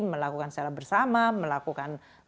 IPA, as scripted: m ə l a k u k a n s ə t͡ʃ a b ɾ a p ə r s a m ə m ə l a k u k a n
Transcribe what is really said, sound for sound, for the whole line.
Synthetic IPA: m ə l a k u k a n s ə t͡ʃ a ɾ a b ə r s a m a m ə l a k u k a n